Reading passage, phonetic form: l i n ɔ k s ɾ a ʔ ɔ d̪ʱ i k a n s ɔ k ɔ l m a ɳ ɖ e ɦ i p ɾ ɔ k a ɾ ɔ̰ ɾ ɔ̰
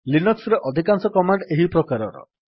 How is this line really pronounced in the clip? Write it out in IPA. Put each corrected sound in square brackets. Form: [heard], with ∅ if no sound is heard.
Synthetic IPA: l i n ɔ k s ɾ [e] ʔ ɔ d̪ʱ i k a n s ɔ k ɔ [∅] m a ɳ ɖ e ɦ i p ɾ ɔ k a ɾ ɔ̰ ɾ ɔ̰

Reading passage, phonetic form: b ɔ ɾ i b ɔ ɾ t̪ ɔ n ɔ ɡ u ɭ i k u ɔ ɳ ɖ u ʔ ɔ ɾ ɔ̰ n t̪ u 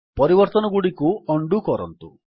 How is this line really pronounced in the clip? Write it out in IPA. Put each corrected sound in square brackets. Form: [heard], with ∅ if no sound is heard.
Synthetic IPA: [p] ɔ ɾ i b ɔ ɾ t̪ ɔ n ɔ ɡ u [ɽ] i k u ɔ ɳ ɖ u [k] ɔ ɾ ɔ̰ n t̪ u

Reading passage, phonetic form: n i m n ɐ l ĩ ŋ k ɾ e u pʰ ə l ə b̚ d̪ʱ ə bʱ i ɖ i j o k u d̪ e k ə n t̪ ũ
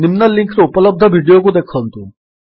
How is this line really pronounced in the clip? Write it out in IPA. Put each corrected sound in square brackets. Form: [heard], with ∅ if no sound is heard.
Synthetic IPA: n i m n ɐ l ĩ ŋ k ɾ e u [p] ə l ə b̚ d̪ʱ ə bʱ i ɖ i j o k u d̪ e [kʰ] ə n t̪ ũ

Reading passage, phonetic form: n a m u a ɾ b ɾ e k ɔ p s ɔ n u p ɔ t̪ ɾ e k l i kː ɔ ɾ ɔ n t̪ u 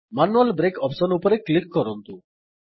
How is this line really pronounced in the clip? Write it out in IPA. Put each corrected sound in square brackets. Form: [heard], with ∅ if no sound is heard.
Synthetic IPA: [m] a [n] u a [l] b ɾ e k ɔ p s ɔ n u p ɔ [∅] ɾ e k l i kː ɔ ɾ ɔ n t̪ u

